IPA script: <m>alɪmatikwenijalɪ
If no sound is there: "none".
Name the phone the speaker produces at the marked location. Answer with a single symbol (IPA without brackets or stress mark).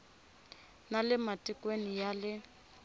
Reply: n